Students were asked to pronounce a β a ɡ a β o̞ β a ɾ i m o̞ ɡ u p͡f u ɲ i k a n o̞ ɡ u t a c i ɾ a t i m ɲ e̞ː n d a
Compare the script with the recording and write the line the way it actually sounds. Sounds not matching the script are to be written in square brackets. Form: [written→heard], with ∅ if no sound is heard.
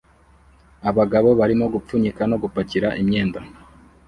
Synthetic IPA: a β a ɡ a β o̞ β a ɾ i m o̞ ɡ u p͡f u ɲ i k a n o̞ ɡ u [t→p] a c i ɾ a [t→ʔ] i m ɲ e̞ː n d a